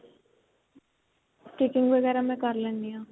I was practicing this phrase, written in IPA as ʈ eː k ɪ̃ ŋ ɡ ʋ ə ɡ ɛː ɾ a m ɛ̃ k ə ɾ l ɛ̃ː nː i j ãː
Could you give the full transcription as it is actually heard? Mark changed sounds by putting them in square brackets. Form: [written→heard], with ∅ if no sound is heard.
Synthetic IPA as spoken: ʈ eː k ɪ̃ ŋ ɡ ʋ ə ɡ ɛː ɾ a m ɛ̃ k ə ɾ l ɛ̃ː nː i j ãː